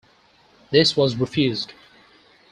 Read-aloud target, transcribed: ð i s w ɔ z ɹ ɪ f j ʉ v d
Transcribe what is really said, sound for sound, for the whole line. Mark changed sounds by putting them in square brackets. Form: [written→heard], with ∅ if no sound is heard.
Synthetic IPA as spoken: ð [i→ɪ] s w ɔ z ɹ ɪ f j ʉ [v→z] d